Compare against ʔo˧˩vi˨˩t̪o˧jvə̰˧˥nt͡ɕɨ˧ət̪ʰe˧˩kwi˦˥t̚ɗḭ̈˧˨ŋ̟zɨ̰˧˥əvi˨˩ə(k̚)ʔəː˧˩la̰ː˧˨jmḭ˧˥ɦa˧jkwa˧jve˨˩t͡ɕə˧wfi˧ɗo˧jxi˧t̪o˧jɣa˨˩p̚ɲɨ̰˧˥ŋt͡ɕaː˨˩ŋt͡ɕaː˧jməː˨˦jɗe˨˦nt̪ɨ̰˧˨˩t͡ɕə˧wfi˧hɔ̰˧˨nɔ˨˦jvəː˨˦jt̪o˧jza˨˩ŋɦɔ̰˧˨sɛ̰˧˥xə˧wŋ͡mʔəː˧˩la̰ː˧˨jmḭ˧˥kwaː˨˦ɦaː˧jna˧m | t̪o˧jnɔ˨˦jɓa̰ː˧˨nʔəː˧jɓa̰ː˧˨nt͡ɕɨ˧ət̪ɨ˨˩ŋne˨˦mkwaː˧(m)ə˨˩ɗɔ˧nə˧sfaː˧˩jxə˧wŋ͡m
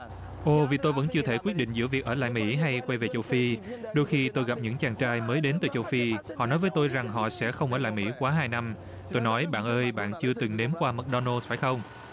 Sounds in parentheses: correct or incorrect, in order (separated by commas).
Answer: correct, correct